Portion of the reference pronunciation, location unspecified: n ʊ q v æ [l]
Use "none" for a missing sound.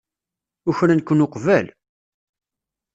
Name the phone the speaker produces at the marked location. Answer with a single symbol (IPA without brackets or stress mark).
l